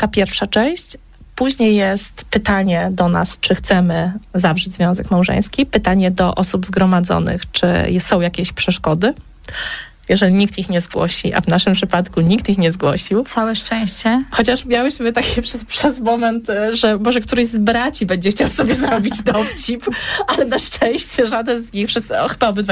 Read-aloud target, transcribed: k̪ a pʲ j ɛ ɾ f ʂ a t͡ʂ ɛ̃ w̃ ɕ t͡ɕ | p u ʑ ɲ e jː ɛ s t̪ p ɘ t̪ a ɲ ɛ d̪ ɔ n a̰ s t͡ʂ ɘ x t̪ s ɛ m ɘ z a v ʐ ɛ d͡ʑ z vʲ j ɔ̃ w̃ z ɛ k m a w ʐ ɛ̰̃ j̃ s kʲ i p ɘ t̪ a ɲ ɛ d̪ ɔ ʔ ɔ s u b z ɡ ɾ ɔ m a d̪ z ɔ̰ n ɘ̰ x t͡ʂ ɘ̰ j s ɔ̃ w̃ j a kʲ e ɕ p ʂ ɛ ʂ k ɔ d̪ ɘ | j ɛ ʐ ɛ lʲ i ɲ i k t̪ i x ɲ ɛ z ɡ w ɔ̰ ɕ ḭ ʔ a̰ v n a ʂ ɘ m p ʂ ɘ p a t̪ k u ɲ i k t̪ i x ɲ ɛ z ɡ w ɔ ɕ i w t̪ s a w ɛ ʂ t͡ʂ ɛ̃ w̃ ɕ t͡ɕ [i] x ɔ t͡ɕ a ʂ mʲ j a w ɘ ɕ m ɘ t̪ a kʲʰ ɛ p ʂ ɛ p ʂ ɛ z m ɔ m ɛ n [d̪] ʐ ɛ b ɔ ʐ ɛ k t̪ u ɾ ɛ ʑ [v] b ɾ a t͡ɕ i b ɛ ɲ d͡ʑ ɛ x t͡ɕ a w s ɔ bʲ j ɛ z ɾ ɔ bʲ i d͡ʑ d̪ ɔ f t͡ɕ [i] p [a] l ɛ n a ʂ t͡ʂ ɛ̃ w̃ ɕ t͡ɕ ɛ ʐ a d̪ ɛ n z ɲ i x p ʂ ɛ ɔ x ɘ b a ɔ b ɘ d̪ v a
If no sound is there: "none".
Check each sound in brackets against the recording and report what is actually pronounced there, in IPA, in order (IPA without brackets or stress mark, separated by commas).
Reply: ɛ, t̪, z, i, a